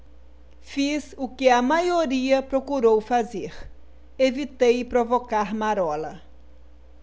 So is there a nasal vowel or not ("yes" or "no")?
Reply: no